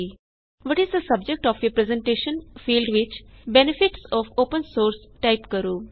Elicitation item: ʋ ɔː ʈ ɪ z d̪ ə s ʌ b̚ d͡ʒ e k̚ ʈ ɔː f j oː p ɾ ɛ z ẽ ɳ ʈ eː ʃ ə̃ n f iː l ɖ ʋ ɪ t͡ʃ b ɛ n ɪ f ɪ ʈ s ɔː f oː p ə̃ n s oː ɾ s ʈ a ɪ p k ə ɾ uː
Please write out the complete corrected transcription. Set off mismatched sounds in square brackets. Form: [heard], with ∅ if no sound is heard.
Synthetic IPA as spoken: ʋ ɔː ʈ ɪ z d̪ ə s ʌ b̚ d͡ʒ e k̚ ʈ ɔː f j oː p ɾ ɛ z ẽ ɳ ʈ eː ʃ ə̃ n f iː l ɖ ʋ ɪ t͡ʃ b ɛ n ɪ f ɪ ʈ s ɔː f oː p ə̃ n s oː ɾ s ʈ a ɪ p k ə ɾ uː